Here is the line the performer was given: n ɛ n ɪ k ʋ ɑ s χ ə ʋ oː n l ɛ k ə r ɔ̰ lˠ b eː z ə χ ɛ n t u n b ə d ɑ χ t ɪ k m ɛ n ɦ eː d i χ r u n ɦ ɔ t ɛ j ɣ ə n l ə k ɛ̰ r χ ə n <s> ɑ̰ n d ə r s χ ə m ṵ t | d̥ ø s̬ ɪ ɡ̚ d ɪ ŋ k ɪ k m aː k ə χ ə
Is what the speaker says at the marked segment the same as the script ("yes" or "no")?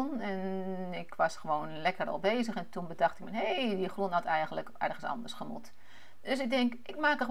yes